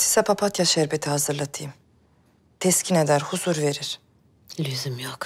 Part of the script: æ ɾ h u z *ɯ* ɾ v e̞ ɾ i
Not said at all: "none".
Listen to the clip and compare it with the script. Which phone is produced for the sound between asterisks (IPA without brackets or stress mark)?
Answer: u